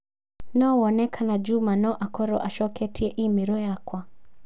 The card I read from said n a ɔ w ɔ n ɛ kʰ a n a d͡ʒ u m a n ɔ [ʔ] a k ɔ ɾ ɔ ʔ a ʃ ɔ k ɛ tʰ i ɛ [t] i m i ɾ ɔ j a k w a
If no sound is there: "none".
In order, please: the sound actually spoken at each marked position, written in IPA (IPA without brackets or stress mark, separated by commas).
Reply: ʔ, ʔ